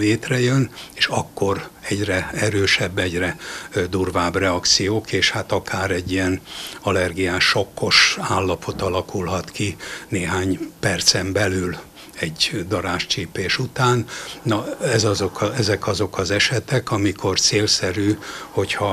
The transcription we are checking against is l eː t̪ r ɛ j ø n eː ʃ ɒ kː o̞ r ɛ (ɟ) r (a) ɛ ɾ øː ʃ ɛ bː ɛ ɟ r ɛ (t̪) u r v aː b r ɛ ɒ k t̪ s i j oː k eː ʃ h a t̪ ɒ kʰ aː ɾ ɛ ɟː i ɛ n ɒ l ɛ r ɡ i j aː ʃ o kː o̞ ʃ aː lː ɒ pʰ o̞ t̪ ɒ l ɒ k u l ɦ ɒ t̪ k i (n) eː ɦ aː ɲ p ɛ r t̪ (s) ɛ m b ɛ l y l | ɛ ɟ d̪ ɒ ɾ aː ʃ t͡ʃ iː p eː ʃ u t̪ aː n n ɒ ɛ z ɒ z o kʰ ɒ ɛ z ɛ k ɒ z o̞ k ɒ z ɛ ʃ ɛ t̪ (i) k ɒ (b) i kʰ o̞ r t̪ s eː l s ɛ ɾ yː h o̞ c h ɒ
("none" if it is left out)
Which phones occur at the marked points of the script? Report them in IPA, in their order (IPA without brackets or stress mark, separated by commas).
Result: ɟ, ɛ, d̪, n, s, ɛ, m